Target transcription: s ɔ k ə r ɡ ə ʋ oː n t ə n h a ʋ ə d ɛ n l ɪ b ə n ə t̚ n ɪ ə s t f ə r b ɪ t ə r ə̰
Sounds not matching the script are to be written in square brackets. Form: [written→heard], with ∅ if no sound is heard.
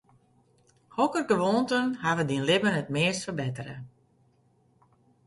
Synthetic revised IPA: [s→h] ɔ k ə r ɡ ə ʋ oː n t ə n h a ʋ ə d [ɛ→i] n l ɪ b ə n ə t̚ [n→m] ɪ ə s t f ə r b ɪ t ə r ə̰